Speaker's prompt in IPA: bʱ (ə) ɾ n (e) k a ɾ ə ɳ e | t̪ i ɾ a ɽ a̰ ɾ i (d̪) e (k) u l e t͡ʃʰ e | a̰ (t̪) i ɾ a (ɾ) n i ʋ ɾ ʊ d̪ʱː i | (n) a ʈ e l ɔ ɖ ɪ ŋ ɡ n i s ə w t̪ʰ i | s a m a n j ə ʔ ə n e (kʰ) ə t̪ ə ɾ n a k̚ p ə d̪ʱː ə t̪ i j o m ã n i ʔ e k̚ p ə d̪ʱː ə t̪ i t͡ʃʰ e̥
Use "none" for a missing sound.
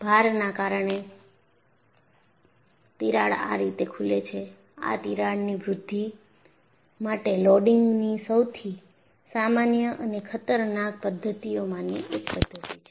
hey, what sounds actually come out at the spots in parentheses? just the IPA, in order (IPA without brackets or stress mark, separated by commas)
a, a, t̪, kʰ, t̪, ɽ, m, kʰ